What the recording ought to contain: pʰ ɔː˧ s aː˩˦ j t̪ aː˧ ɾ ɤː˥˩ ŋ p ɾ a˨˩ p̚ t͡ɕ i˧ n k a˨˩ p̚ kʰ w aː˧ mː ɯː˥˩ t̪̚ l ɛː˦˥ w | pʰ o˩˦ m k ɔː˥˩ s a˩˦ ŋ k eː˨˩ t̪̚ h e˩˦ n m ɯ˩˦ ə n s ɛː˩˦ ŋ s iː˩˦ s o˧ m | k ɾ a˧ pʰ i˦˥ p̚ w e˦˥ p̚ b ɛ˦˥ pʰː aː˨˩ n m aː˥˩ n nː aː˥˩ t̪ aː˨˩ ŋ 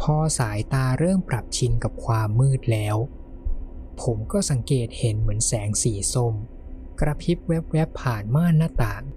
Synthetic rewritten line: pʰ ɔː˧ s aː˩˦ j t̪ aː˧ ɾ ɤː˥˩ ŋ p ɾ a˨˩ p̚ t͡ɕʰ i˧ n k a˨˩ p̚ kʰ w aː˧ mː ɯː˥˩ t̪̚ l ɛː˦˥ w | pʰ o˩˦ m k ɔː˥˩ s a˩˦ ŋ k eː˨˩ t̪̚ h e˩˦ n m ɯ˩˦ ə n s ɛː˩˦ ŋ s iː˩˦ s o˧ m | k ɾ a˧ pʰ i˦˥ p̚ w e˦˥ p̚ w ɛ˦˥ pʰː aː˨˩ n m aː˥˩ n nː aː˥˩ t̪ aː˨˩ ŋ